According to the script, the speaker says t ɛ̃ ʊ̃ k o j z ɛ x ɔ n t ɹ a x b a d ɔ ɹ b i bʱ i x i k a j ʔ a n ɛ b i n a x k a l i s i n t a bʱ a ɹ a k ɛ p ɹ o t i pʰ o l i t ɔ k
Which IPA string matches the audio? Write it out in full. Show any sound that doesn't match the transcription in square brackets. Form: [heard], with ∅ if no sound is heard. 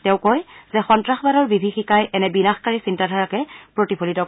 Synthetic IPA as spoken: t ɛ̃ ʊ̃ k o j z ɛ x ɔ n t ɹ a x b a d ɔ ɹ b i bʱ i x i k a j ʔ [ɛ] n ɛ b i n a x k a [ɹ] i s i n t a [dʱ] a ɹ a k ɛ p ɹ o t i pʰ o l i t ɔ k